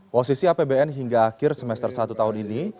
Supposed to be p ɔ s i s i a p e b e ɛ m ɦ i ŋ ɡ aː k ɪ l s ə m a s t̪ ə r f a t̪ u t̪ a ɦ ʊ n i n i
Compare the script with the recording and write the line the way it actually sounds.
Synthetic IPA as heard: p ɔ s i s i a p e b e ɛ n ɦ i ŋ ɡ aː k ɪ r s ə m ɛ s t̪ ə r s a t̪ u t̪ a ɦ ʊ n i n i